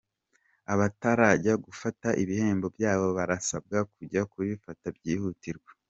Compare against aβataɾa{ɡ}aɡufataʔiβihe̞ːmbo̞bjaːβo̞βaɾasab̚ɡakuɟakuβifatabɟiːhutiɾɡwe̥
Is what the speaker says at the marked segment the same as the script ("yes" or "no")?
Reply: no